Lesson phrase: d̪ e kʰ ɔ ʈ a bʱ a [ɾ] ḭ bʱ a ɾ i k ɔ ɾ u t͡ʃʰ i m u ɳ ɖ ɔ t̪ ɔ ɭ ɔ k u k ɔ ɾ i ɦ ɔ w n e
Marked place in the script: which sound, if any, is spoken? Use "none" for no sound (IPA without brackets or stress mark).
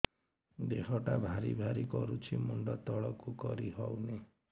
ɾ